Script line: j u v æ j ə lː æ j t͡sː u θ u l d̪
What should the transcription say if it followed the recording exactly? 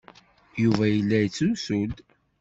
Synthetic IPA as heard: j u v æ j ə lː æ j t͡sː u s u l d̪